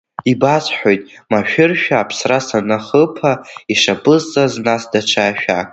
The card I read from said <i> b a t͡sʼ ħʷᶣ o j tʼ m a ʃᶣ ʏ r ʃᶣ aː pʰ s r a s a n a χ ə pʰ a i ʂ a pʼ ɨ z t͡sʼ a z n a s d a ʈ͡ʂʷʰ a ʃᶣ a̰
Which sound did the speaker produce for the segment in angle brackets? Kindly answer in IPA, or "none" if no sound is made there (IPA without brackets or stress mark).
i